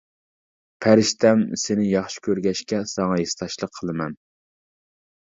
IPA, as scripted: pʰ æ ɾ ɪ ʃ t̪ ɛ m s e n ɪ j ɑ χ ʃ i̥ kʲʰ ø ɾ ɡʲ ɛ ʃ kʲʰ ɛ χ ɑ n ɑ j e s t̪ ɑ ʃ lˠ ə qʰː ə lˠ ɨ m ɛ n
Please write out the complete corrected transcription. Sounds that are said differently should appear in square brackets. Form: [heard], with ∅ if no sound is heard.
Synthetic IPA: pʰ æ ɾ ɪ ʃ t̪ ɛ m s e n ɪ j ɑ χ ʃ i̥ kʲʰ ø ɾ ɡʲ ɛ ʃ [kʲ] ɛ [s] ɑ [ŋ] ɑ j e s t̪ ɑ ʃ lˠ ə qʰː ə lˠ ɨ m ɛ n